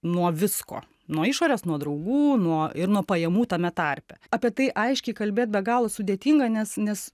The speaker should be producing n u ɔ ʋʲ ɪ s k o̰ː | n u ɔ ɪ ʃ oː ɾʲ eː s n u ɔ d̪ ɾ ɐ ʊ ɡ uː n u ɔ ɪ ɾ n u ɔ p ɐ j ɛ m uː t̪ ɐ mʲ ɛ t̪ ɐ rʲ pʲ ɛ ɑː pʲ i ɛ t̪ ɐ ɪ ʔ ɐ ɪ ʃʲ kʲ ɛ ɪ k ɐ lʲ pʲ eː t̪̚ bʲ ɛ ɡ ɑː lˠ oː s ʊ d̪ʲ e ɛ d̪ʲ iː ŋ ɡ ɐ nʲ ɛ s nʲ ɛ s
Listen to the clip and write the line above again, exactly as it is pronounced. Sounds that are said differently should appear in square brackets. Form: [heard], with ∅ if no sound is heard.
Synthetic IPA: n u ɔ ʋʲ ɪ s k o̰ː | n u ɔ ɪ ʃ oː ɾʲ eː s n u ɔ d̪ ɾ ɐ ʊ ɡ uː n u ɔ ɪ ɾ n u ɔ p ɐ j ɛ m uː t̪ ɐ mʲ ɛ t̪ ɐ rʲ pʲ ɛ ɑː pʲ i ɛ t̪ ɐ ɪ ʔ ɐ ɪ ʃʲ kʲ ɛ ɪ k ɐ lʲ [bʲ] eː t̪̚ bʲ ɛ ɡ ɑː lˠ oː s ʊ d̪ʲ e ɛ [t̪ʲ] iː ŋ ɡ ɐ nʲ ɛ s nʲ ɛ s